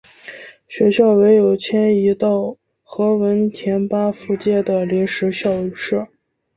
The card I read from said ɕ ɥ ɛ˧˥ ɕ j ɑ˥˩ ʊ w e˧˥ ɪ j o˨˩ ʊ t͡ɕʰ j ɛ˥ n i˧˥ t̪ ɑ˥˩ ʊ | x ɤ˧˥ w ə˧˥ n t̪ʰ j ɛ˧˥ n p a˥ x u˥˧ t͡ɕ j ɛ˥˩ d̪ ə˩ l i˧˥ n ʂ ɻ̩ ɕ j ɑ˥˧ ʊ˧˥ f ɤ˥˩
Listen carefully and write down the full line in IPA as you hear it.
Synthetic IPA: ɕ ɥ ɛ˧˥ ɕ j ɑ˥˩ ʊ w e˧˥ ɪ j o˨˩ ʊ t͡ɕʰ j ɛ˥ n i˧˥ t̪ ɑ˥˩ ʊ | x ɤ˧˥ w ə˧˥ n t̪ʰ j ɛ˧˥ n p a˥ f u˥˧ t͡ɕ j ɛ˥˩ d̪ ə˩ l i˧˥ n ʂ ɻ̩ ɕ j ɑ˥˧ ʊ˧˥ ʂ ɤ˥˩